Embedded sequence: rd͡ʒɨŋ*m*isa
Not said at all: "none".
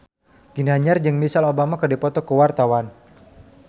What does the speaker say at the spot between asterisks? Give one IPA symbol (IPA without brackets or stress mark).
m